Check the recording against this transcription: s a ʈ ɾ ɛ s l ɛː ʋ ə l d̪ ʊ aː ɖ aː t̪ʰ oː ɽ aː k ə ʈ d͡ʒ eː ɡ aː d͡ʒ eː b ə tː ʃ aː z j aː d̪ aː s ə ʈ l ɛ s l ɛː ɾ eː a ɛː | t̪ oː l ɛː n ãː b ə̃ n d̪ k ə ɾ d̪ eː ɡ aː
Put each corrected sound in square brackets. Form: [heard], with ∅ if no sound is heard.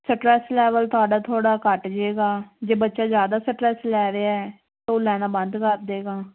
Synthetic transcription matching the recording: s [ə] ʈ ɾ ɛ s l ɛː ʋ ə l [t̪] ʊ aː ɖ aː t̪ʰ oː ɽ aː k ə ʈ d͡ʒ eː ɡ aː d͡ʒ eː b ə tː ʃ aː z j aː d̪ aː s ə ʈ [ɾ] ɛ s l ɛː ɾ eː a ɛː | t̪ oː l ɛː n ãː b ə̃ n d̪ k ə ɾ d̪ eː ɡ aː